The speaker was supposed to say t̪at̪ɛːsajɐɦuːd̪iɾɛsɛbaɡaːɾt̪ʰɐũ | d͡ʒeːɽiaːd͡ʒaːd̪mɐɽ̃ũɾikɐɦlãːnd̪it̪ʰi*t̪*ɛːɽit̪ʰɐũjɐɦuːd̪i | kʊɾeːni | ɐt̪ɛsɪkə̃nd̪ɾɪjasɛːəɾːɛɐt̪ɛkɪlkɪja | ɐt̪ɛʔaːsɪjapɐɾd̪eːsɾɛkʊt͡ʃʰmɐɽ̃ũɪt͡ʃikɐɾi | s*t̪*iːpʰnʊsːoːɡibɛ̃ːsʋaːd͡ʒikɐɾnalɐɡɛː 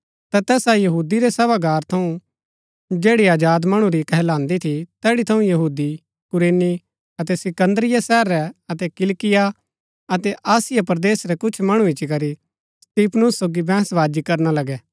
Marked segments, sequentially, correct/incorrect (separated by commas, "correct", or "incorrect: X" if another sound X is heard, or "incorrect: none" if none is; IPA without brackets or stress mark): correct, correct